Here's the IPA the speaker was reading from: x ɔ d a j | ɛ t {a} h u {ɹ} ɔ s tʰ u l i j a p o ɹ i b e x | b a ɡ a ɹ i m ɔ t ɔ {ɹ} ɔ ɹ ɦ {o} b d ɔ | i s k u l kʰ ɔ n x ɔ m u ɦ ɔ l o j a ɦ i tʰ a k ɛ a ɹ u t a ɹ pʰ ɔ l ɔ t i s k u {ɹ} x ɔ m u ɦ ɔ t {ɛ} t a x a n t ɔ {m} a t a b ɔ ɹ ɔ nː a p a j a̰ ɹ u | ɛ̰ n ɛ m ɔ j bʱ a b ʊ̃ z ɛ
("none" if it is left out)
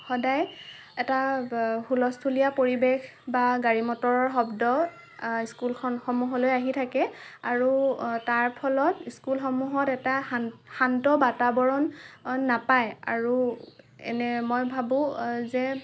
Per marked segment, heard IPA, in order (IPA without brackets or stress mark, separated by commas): a, l, ɹ, ɔ, l, ɛ, b